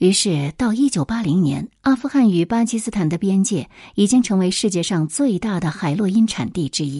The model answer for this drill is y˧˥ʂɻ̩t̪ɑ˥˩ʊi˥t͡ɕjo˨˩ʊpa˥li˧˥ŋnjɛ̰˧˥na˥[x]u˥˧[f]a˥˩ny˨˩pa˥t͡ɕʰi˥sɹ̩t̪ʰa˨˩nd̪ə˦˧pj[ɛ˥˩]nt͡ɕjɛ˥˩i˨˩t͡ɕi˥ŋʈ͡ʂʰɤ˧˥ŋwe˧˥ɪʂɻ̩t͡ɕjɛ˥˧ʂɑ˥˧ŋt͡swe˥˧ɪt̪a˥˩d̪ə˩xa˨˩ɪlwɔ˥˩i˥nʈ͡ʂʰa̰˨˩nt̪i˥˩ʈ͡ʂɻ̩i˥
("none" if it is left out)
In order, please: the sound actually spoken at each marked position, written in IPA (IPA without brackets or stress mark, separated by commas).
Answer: f, x, ɛ˥